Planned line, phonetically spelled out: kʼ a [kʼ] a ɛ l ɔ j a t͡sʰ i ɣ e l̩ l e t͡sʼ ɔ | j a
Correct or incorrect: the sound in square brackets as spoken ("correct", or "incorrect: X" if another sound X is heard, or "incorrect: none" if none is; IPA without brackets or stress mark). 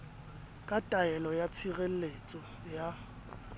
incorrect: tʼ